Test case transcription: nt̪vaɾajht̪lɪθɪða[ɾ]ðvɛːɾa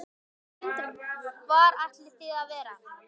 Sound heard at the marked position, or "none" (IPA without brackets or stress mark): none